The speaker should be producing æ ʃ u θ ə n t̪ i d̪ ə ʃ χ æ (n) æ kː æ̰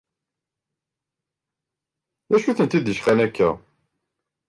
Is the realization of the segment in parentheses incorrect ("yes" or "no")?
no